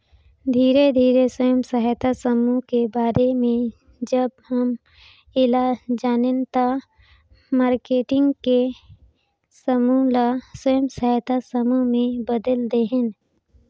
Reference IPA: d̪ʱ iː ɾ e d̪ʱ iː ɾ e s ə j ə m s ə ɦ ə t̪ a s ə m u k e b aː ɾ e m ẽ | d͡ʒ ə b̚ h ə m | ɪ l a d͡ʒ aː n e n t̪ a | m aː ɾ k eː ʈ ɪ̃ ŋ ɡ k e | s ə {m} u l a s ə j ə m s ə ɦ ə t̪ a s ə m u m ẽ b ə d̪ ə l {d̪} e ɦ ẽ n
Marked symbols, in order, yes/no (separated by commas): yes, yes